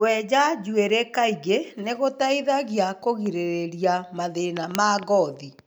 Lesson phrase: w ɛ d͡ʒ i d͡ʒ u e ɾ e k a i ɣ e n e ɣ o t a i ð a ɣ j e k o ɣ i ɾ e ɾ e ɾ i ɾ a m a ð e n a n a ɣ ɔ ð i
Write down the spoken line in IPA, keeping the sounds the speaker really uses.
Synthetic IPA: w ɛ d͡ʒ a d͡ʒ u e ɾ e k a i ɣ e n e ɣ o t a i ð a ɣ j a k o ɣ i ɾ e ɾ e ɾ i a m a ð e n a m a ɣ ɔ ð i